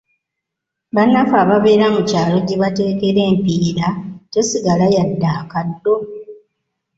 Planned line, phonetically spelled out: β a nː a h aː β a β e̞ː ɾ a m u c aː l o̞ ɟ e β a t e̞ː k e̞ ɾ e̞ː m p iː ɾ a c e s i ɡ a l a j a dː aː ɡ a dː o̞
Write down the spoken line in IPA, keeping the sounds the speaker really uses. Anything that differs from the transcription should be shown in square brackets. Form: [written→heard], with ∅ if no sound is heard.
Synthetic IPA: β a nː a [h→f] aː β a β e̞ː ɾ a m u c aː l o̞ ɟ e β a t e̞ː k e̞ ɾ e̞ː m p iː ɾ a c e s i ɡ a l a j a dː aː [ɡ→k] a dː o̞